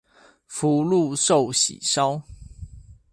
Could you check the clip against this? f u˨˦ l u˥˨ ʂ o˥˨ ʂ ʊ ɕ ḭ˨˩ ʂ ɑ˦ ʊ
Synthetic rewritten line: f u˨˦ l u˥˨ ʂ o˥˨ ʊ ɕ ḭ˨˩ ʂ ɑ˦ ʊ

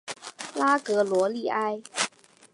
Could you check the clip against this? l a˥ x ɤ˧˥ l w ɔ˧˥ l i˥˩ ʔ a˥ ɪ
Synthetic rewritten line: l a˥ k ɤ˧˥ l w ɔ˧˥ l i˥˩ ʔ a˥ ɪ

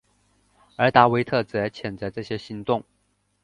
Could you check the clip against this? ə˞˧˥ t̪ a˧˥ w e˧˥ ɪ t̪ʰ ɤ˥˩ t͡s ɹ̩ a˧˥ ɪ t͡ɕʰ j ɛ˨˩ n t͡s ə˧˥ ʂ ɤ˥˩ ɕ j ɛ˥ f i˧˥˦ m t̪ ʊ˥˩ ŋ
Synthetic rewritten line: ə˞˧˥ t̪ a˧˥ w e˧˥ ɪ t̪ʰ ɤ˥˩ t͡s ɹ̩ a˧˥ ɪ t͡ɕʰ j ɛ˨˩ n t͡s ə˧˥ ʈ͡ʂ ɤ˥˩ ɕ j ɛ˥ ɕ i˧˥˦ ŋ t̪ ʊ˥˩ ŋ

